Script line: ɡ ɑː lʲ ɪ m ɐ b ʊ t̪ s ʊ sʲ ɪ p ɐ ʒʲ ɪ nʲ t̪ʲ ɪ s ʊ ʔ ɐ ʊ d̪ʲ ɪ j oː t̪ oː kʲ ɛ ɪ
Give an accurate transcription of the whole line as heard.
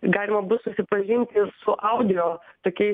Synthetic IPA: ɡ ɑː lʲ ɪ m ɐ b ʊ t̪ s ʊ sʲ ɪ p ɐ ʒʲ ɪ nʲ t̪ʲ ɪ s ʊ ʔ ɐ ʊ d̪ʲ ɪ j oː t̪ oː kʲ ɛ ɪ

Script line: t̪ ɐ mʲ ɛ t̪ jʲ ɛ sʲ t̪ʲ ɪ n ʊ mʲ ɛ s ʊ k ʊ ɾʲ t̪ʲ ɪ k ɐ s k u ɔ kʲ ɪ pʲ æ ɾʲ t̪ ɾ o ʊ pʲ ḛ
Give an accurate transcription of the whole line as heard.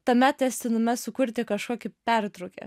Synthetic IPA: t̪ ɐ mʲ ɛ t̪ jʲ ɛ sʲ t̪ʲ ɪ n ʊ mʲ ɛ s ʊ k ʊ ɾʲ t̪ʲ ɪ k ɐ ʃ k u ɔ kʲ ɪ pʲ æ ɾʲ t̪ ɾ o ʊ kʲ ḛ

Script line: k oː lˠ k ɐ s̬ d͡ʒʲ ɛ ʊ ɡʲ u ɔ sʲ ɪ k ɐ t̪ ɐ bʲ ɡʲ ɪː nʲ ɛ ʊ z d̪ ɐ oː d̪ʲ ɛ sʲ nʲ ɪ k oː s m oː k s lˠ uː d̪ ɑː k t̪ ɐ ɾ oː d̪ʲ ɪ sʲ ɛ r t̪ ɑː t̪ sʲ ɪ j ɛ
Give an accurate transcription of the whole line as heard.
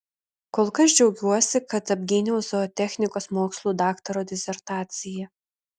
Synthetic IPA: k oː lˠ k ɐ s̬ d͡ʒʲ ɛ ʊ ɡʲ u ɔ sʲ ɪ k ɐ t̪ ɐ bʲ ɡʲ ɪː nʲ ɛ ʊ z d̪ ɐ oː t̪ʲ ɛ xʲ nʲ ɪ k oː s m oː k s lˠ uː d̪ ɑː k t̪ ɐ ɾ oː d̪ʲ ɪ sʲ ɛ ɾ t̪ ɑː t̪ sʲ ɪ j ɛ

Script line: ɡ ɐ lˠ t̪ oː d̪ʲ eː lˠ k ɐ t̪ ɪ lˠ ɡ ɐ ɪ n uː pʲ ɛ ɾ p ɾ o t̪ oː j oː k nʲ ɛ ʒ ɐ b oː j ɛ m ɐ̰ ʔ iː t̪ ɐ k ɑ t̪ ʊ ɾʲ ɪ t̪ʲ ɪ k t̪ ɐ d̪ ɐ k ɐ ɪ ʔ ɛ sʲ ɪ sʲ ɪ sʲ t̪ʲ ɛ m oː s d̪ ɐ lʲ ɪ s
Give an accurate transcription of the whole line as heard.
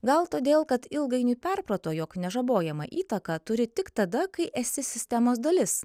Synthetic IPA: ɡ ɐ lˠ t̪ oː d̪ʲ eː lˠ k ɐ t̪ ɪ lˠ ɡ ɐ ɪ n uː pʲ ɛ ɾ p ɾ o t̪ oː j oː k nʲ ɛ ʒ ɐ b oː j ɛ m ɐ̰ ʔ iː t̪ ɐ k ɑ t̪ ʊ ɾʲ ɪ t̪ʲ ɪ k t̪ ɐ d̪ ɐ k ɐ ɪ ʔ ɛ sʲ ɪ sʲ ɪ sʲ t̪ʲ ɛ m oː s d̪ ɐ lʲ ɪ s

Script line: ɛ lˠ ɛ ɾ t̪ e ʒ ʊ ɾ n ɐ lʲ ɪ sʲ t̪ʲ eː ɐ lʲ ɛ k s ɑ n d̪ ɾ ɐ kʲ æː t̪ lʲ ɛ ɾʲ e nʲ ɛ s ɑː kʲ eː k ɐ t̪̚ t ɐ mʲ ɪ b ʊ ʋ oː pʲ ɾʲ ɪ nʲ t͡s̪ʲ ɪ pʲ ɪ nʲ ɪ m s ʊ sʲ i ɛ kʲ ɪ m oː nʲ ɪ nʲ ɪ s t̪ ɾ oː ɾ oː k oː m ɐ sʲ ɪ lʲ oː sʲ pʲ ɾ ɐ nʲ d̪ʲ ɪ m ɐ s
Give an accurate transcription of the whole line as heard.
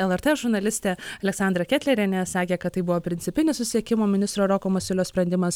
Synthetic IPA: ɛ lˠ ɛ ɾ t̪ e ʒ ʊ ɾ n ɐ lʲ ɪ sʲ t̪ʲ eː ɐ lʲ ɛ k s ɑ n d̪ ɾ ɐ kʲ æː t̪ lʲ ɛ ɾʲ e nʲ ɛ s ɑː kʲ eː k ɐ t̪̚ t ɐ ɪ b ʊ ʋ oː pʲ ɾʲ ɪ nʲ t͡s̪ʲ ɪ pʲ ɪ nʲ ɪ s ʊ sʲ i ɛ kʲ ɪ m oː mʲ ɪ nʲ ɪ s t̪ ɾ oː ɾ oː k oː m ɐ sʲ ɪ lʲ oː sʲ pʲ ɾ ɐ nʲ d̪ʲ ɪ m ɐ s

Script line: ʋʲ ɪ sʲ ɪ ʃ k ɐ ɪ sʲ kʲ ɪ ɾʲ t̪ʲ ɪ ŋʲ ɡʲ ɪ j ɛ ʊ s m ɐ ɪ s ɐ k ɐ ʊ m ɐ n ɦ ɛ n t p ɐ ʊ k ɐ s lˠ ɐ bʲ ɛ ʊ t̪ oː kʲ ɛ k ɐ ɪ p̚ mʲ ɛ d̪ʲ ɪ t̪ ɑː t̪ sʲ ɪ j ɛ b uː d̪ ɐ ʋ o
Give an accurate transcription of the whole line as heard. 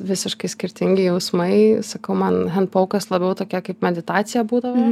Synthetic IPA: ʋʲ ɪ sʲ ɪ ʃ k ɐ ɪ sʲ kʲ ɪ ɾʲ t̪ʲ ɪ ŋʲ ɡʲ ɪ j ɛ ʊ s m ɐ ɪ s ɐ k ɐ ʊ m ɐ n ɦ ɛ n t p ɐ ʊ k ɐ s lˠ ɐ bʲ ɛ ʊ t̪ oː kʲ ɛ k ɐ ɪ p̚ mʲ ɛ d̪ʲ ɪ t̪ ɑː t̪ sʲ ɪ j ɛ b uː d̪ ɐ ʋ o

